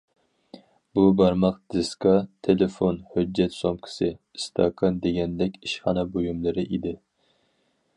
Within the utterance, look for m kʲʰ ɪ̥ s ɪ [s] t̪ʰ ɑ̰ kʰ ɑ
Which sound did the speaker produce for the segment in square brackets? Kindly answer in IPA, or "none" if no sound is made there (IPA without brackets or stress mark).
s